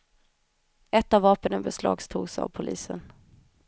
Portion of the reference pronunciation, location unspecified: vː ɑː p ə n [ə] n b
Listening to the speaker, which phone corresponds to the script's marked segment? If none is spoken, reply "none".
ə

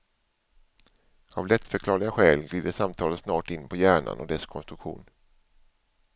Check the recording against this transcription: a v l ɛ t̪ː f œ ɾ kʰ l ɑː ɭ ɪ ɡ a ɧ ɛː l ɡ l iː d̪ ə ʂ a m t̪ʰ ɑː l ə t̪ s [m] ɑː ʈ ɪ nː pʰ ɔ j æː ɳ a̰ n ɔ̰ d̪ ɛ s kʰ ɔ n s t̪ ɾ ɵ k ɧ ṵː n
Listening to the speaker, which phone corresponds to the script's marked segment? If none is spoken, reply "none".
n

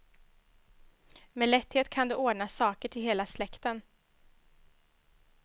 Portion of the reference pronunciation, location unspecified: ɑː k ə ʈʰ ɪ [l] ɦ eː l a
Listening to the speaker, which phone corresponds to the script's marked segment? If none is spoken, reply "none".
l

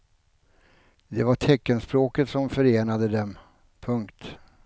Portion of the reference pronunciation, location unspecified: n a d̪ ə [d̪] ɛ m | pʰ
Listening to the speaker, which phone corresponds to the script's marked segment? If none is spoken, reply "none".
d̪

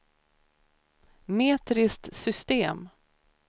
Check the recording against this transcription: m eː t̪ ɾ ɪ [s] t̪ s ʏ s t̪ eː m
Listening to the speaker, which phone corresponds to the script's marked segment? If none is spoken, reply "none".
s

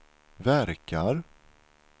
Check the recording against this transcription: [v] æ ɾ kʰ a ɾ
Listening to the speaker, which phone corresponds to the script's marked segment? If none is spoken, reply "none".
v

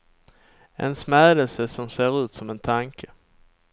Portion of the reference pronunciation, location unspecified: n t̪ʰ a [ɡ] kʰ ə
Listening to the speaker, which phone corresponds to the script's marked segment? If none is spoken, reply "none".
ŋ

